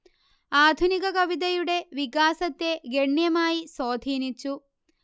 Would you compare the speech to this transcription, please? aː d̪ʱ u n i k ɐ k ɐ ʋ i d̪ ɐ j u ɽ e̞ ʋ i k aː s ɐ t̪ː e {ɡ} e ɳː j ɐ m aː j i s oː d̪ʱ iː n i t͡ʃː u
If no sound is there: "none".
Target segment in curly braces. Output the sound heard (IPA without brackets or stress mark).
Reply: ɡ